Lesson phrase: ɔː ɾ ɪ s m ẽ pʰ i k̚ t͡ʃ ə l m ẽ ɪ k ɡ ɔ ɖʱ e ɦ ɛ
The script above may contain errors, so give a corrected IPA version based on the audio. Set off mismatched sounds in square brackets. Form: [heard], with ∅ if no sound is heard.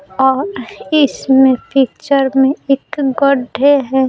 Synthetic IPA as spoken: ɔː ɾ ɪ s m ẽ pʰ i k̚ t͡ʃ ə [ɾ] m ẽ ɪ k ɡ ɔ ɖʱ e ɦ ɛ